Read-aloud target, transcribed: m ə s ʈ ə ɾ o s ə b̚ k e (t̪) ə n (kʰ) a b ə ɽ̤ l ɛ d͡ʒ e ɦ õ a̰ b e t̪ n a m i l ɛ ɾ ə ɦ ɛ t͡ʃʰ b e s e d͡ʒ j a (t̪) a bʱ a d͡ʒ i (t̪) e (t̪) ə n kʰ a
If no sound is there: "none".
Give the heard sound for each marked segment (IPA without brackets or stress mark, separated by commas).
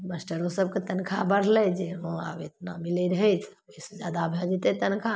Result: t̪, kʰ, d̪, t̪, t̪